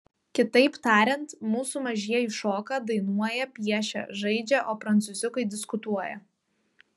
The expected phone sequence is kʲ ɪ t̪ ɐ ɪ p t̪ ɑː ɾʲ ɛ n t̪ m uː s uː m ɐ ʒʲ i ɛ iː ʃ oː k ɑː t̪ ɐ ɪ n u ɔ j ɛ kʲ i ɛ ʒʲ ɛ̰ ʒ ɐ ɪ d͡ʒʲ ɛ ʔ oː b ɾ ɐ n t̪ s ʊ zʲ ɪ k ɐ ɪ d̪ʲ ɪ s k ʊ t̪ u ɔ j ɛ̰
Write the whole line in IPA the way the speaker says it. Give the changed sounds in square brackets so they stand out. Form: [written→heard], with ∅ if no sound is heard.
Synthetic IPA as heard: kʲ ɪ t̪ ɐ ɪ p t̪ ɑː ɾʲ ɛ n t̪ m uː s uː m ɐ ʒʲ i ɛ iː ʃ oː k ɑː [t̪→d̪] ɐ ɪ n u ɔ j ɛ [kʲ→pʲ] i ɛ [ʒʲ→ʃʲ] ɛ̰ ʒ ɐ ɪ d͡ʒʲ ɛ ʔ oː [b→p] ɾ ɐ n t̪ s ʊ zʲ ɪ k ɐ ɪ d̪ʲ ɪ s k ʊ t̪ u ɔ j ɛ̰